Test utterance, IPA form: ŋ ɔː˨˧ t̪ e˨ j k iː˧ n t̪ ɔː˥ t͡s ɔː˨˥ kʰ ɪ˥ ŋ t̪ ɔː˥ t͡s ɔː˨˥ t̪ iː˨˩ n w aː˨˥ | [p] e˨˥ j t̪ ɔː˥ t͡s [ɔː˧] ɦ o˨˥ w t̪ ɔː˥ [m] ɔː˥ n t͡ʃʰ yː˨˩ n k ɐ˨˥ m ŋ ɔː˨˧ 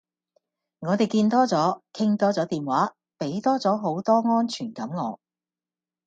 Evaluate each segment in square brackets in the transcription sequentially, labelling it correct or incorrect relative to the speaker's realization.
correct, incorrect: ɔː˨˥, incorrect: ŋ

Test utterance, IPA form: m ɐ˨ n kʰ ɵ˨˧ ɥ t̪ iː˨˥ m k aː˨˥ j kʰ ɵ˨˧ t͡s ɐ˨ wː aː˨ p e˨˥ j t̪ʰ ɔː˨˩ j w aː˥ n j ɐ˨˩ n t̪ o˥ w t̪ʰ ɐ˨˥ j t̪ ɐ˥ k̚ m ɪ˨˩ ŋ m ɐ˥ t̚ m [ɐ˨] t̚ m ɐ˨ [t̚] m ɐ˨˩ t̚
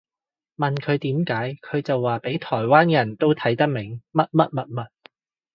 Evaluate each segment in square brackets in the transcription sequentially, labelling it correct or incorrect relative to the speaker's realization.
incorrect: ɐ˥, correct

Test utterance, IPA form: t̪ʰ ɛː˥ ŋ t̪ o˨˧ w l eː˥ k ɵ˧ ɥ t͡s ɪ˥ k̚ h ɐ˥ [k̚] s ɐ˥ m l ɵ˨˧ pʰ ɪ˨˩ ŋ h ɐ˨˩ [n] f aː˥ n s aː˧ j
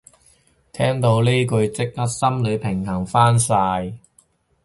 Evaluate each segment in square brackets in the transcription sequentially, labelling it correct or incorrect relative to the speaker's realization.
incorrect: t̚, incorrect: ŋ

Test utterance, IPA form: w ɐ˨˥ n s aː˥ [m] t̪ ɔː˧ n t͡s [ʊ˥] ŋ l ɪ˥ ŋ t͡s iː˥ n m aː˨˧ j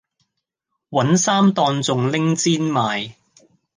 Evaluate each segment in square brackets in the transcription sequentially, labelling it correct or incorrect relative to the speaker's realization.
correct, incorrect: ʊ˨

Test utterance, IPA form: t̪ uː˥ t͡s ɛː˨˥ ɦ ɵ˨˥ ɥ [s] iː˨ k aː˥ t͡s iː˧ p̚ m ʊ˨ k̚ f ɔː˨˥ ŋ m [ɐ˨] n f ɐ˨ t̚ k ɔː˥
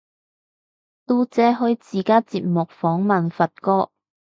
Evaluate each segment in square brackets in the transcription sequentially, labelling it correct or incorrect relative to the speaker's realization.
incorrect: t͡s, correct

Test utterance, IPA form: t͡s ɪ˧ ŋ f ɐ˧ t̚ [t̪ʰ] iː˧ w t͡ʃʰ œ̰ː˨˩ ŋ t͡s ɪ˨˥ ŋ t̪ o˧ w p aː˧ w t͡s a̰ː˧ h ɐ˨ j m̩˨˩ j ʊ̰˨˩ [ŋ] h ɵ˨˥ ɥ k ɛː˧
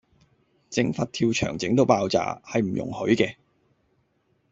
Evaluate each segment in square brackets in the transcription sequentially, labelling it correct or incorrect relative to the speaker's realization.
correct, correct

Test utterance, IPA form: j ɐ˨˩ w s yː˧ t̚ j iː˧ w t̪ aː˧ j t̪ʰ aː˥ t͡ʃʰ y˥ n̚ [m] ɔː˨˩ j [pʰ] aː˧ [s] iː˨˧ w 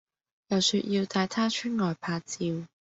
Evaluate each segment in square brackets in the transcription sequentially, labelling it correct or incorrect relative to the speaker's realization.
incorrect: ŋ, correct, incorrect: t͡s

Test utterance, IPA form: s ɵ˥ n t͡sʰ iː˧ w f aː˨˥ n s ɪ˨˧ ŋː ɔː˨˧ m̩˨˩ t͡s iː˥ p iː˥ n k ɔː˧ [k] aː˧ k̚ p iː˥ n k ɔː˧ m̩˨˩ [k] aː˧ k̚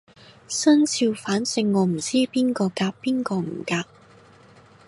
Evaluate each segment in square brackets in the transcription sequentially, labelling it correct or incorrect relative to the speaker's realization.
correct, correct

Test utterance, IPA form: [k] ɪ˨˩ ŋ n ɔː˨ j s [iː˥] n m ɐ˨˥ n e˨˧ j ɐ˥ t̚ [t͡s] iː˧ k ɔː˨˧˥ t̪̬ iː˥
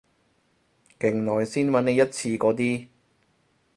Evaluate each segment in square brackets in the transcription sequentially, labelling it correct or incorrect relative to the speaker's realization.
correct, correct, incorrect: t͡sʰ

